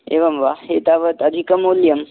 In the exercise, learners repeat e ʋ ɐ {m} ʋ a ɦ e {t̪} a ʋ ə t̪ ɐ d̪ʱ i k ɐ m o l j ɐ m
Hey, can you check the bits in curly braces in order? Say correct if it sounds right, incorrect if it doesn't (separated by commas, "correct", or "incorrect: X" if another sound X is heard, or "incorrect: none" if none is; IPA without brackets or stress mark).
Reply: correct, correct